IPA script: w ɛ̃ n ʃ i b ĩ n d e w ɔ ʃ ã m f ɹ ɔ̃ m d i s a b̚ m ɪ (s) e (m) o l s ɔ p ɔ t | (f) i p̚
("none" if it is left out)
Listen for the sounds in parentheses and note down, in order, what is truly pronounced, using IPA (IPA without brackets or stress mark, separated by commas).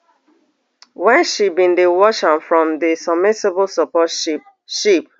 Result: s, b, ʃ